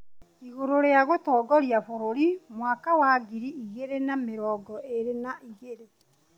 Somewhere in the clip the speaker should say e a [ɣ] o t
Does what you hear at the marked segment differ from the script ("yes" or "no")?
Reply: no